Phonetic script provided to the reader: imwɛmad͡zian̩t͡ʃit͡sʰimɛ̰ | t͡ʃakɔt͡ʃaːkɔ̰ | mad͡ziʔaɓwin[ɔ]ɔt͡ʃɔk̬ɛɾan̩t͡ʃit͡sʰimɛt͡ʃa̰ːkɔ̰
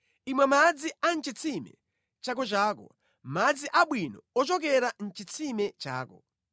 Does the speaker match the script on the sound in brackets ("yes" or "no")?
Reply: yes